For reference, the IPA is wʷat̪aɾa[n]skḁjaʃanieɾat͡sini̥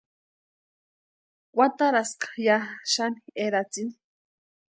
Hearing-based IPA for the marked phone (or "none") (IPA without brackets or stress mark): none